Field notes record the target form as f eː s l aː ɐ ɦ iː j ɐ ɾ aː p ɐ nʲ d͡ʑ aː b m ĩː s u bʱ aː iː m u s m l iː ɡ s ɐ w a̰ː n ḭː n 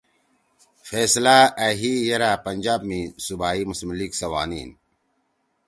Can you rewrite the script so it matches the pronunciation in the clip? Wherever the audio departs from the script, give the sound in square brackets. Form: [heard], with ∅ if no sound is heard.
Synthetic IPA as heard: f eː s l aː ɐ ɦ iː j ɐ ɾ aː p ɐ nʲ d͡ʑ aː b m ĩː s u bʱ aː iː m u s m l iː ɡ s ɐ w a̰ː n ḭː n